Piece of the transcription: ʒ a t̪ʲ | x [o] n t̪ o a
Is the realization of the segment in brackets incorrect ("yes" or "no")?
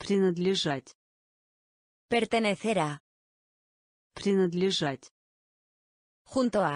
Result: yes